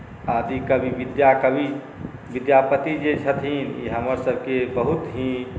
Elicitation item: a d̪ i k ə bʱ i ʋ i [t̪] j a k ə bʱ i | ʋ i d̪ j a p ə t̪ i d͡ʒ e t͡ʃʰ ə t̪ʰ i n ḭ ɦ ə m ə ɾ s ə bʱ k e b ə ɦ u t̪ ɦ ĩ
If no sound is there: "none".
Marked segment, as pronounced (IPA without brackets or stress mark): d̪